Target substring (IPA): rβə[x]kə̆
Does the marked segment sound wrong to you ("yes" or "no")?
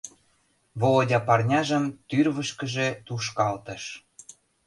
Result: yes